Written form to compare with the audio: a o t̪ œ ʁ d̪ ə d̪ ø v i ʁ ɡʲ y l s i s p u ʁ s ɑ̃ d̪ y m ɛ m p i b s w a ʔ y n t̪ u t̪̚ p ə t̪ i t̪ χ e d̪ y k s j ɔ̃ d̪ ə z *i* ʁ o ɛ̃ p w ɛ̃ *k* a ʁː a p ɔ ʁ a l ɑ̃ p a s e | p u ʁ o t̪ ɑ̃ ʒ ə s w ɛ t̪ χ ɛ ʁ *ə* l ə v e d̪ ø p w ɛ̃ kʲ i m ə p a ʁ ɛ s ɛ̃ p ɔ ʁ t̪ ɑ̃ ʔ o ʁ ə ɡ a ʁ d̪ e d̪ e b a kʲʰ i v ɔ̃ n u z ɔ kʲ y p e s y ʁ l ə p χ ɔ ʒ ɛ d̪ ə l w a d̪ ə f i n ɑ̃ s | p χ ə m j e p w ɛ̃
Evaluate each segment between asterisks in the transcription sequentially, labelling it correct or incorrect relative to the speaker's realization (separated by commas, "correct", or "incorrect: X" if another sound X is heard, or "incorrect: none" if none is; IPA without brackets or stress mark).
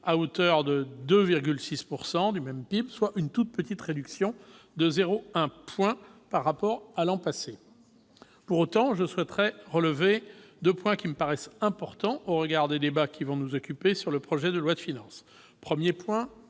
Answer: incorrect: e, incorrect: p, correct